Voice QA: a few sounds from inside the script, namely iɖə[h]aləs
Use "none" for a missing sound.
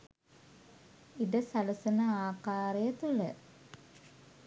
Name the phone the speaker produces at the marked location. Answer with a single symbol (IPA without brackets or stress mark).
s